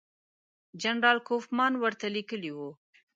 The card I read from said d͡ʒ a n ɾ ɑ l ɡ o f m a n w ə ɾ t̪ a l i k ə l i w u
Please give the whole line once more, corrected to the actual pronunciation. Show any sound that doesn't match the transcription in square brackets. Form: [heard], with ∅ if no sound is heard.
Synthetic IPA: d͡ʒ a n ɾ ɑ l [k] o f m [ɑ] n w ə ɾ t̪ a l i k ə l i w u